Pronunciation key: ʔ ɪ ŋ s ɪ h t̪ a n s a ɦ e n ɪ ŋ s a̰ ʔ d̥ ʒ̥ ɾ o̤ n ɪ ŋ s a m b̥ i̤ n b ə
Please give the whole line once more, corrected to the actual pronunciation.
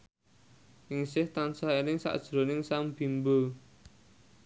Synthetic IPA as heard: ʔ ɪ ŋ s ɪ h t̪ a n s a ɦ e n ɪ ŋ s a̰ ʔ d̥ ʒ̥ ɾ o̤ n ɪ ŋ s a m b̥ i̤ m b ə